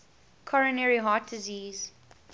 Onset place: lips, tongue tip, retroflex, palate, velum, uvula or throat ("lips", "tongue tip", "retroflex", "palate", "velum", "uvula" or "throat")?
velum